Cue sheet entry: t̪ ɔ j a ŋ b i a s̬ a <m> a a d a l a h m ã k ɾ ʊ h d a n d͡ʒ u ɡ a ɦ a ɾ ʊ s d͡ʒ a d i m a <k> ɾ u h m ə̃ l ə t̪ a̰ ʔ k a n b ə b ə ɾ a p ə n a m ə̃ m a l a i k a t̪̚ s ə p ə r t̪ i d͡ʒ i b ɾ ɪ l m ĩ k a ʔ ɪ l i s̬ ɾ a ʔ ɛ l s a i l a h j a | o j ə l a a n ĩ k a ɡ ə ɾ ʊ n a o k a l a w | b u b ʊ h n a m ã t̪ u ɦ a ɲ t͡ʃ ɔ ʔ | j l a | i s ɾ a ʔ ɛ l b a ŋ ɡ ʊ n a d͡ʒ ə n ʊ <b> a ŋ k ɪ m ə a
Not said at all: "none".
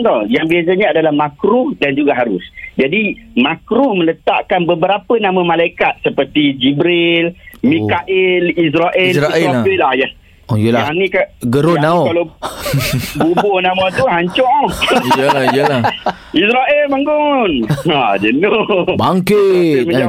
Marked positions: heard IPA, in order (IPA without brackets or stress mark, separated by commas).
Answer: ɲ, k, b